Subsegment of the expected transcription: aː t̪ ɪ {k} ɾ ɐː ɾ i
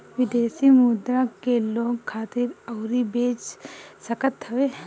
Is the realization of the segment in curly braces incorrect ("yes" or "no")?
yes